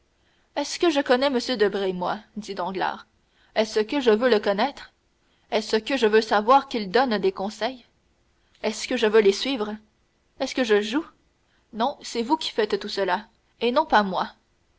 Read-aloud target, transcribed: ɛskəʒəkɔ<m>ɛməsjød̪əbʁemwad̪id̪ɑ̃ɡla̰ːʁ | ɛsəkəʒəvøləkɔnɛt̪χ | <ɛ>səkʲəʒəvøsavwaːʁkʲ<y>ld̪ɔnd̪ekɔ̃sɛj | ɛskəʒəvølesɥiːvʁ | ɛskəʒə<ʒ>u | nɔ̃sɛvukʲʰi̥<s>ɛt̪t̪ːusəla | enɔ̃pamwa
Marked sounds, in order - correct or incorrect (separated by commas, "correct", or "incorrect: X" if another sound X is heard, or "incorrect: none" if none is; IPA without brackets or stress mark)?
incorrect: n, correct, incorrect: i, correct, incorrect: f